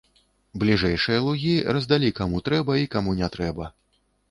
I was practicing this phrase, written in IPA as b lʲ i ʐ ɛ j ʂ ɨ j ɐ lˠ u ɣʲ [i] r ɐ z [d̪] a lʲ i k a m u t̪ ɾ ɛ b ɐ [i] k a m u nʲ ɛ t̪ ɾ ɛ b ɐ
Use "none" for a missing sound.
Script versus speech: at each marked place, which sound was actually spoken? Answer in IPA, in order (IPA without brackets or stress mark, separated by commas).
i, d̪, i